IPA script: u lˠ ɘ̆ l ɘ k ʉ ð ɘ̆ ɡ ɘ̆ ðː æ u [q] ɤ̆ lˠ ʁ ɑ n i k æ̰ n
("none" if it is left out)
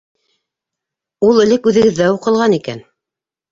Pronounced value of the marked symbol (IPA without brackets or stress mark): q